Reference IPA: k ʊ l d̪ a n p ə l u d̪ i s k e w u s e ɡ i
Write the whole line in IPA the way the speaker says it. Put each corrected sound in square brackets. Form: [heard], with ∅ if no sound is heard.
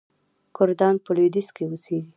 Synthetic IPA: k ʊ [ɾ] d̪ [ɑ] n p ə l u d̪ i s k e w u s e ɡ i